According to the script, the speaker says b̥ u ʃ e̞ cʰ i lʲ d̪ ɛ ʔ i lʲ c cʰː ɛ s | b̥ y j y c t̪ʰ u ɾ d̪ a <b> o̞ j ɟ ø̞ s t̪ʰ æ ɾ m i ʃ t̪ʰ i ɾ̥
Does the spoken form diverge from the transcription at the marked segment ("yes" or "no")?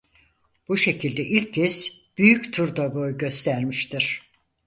no